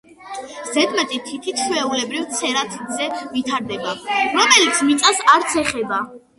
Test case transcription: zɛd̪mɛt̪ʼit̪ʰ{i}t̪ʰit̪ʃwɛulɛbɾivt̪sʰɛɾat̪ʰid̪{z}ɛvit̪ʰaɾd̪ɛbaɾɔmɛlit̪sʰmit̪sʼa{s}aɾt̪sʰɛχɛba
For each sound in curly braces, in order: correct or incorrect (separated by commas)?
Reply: correct, correct, correct